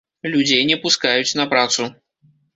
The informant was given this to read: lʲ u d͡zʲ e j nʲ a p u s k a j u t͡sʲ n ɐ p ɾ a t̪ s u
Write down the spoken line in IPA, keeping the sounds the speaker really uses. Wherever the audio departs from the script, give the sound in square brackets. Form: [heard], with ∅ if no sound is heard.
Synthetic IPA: lʲ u d͡zʲ e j nʲ [ɛ] p u s k a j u t͡sʲ n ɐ p ɾ a t̪ s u